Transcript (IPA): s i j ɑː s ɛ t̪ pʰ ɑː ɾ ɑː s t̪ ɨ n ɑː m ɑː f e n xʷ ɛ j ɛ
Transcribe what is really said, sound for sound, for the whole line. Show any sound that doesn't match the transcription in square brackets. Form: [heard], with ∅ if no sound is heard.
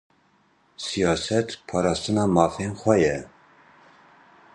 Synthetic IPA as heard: s i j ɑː s ɛ t̪ pʰ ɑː ɾ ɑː s t̪ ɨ n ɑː m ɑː f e n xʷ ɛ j ɛ